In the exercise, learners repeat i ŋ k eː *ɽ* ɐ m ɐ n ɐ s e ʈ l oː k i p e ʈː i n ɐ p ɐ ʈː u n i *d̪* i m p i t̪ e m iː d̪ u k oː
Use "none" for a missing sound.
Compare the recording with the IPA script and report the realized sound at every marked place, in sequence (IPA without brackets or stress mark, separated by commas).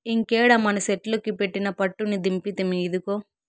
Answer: ɽ, d̪